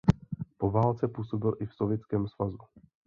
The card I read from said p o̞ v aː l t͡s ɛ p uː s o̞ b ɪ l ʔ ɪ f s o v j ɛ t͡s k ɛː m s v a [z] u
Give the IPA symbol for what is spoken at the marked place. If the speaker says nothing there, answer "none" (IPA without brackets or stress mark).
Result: z